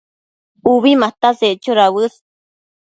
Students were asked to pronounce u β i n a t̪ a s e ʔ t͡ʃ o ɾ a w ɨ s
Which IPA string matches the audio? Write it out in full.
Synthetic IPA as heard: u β i m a t̪ a s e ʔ t͡ʃ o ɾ a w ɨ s